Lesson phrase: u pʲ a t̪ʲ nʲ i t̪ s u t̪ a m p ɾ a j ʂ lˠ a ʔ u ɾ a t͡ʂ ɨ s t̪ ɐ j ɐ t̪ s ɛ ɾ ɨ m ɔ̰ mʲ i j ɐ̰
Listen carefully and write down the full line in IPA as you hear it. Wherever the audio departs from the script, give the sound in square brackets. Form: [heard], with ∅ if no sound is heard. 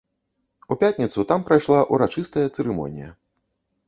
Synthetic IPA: u pʲ a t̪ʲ nʲ i t̪ s u t̪ a m p ɾ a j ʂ lˠ a ʔ u ɾ a t͡ʂ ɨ s t̪ ɐ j ɐ t̪ s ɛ ɾ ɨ m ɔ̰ [nʲ] i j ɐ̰